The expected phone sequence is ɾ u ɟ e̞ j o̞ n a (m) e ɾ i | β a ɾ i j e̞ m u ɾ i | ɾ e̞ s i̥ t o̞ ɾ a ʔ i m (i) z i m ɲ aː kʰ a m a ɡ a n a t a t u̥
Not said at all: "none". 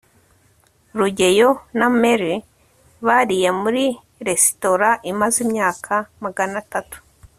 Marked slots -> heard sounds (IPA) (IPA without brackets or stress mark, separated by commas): m, a